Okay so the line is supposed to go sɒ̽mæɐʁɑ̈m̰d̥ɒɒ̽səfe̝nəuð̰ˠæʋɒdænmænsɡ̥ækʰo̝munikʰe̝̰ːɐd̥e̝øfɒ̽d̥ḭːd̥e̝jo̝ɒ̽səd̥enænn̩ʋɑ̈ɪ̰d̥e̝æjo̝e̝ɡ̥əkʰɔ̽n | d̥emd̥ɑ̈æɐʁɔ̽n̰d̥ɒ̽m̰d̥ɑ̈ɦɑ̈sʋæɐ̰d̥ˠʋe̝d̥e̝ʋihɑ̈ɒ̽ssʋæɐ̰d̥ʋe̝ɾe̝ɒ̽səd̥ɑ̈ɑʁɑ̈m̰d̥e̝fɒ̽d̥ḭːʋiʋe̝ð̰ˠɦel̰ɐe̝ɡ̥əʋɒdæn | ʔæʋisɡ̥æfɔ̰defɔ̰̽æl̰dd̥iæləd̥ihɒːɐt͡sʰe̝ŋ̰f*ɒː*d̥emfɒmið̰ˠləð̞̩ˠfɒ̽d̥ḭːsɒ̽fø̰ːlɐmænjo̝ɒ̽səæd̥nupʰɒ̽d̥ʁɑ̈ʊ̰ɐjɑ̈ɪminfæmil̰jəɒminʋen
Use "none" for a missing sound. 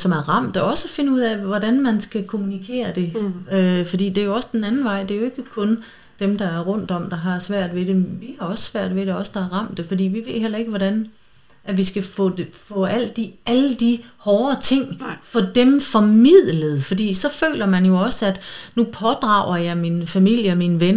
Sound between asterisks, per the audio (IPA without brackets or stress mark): ɒ